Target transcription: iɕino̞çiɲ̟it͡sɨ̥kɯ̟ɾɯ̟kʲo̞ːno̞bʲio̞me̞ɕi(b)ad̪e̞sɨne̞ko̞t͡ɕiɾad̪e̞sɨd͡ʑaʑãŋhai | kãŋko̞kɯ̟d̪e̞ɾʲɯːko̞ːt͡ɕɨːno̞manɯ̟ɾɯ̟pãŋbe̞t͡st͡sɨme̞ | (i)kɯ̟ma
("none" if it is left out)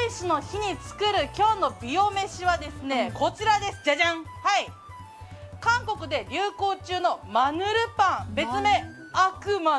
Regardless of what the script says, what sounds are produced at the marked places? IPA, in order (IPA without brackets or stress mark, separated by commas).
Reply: β, a